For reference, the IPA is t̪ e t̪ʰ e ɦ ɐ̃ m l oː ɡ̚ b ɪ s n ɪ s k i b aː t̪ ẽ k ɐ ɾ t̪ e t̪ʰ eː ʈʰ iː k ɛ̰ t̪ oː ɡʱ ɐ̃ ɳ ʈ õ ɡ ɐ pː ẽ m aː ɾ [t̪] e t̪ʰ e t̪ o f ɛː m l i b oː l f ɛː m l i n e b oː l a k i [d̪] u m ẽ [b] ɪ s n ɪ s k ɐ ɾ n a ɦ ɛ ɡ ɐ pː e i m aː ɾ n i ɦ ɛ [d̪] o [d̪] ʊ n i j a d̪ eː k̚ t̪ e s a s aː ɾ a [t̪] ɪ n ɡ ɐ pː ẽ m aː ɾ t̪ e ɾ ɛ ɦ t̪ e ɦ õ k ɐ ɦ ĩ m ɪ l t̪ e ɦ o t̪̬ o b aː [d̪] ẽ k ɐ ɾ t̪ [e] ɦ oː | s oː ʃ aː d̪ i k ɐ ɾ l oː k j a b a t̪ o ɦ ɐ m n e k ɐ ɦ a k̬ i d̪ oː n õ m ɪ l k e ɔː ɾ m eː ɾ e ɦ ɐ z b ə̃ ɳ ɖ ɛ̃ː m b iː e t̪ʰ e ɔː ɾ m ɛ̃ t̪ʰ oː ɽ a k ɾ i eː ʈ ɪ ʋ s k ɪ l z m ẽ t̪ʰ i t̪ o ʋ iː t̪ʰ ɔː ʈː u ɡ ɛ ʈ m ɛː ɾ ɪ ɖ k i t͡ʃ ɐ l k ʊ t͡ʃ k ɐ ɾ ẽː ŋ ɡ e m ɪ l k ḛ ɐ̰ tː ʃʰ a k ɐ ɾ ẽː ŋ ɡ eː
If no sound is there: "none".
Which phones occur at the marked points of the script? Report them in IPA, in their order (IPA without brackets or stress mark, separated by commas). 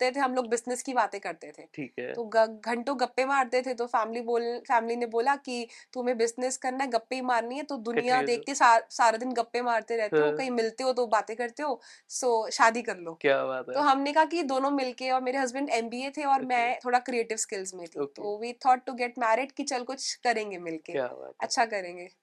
t̪, t̪, b, t̪, d̪, d̪, t̪, e